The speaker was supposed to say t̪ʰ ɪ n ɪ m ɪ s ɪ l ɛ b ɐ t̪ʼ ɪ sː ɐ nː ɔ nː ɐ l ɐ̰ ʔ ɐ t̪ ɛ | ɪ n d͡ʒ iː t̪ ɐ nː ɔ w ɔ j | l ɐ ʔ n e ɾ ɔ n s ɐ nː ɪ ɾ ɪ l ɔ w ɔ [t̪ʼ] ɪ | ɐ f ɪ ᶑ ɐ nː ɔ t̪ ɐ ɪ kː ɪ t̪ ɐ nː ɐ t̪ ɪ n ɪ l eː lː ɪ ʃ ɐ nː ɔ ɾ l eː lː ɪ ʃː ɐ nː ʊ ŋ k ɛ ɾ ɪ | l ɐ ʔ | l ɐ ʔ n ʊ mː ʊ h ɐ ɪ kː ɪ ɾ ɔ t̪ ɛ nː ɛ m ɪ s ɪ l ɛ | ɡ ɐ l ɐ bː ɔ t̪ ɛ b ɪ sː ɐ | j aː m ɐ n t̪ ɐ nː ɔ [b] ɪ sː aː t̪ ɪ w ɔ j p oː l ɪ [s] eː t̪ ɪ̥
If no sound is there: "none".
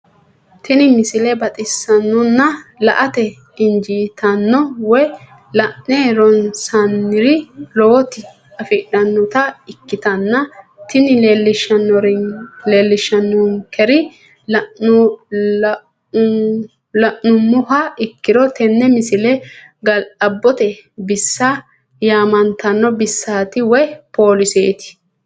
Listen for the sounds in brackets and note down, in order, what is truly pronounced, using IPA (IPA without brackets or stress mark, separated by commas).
t̪, b, s